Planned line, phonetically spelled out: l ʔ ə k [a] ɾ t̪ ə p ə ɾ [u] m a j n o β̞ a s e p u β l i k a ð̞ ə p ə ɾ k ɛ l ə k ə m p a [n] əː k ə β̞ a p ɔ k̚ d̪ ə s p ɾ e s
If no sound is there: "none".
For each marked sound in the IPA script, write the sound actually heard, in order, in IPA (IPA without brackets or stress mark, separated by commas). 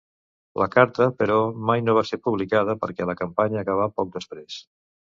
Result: a, ɔ, ɲ